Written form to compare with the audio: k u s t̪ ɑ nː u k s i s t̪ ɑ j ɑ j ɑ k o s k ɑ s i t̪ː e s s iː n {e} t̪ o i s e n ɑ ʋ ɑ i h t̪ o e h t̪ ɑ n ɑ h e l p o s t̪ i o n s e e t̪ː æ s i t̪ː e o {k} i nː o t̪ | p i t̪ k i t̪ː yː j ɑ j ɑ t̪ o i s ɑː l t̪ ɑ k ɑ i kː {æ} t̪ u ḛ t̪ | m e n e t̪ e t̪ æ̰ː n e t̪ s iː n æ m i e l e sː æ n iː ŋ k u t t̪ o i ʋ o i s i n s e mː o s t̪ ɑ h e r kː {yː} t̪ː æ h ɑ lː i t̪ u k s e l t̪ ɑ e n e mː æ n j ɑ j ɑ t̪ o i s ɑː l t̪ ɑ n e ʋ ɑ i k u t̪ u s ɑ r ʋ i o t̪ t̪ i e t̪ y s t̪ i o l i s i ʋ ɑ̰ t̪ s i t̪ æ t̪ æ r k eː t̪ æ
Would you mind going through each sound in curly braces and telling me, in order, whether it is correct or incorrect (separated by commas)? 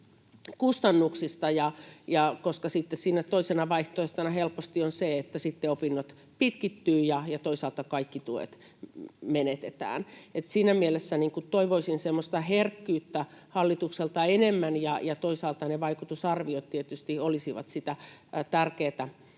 incorrect, incorrect, incorrect, correct